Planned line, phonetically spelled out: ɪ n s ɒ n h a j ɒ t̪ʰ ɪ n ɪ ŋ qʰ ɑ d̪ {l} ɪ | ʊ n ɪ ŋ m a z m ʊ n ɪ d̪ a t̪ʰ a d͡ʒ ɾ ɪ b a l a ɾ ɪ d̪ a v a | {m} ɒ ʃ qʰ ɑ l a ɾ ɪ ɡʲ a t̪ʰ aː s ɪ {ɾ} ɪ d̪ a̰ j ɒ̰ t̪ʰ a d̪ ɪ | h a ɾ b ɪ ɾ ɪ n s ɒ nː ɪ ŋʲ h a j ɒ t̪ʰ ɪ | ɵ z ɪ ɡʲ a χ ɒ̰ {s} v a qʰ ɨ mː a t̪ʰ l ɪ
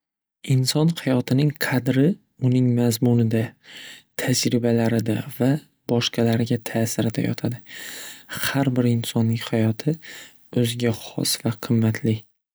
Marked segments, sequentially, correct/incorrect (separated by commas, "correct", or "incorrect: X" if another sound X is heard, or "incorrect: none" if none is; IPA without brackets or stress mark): incorrect: ɾ, incorrect: b, correct, correct